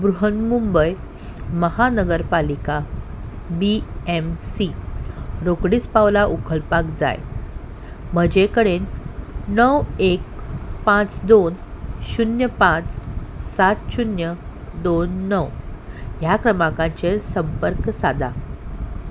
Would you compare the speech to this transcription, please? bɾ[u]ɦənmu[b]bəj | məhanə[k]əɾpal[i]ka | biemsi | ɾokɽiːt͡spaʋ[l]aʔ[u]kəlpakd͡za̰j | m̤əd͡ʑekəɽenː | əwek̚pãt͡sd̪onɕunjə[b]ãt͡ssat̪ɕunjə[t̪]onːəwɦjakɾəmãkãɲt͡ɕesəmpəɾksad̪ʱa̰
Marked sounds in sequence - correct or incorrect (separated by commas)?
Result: correct, incorrect, incorrect, correct, correct, correct, incorrect, incorrect